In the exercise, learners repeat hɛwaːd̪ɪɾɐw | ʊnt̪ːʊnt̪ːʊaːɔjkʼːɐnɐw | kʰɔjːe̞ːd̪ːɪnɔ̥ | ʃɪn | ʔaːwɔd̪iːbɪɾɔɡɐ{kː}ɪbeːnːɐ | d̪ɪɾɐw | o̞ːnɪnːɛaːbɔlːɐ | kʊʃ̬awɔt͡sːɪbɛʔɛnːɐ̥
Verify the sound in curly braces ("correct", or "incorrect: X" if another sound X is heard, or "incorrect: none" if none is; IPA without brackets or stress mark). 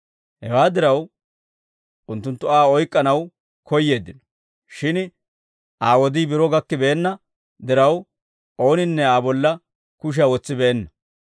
correct